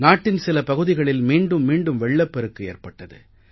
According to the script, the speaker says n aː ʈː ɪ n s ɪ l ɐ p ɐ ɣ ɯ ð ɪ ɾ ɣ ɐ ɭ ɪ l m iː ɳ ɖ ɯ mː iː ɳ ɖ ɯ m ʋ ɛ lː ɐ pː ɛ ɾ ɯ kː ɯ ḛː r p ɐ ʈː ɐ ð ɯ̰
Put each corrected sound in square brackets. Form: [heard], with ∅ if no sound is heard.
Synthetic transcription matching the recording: n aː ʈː ɪ n s ɪ l ɐ p ɐ ɣ ɯ ð ɪ [∅] ɣ ɐ ɭ ɪ l m iː ɳ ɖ ɯ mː iː ɳ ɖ ɯ m ʋ ɛ [ɭː] ɐ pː ɛ ɾ ɯ kː ɯ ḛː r p ɐ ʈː ɐ ð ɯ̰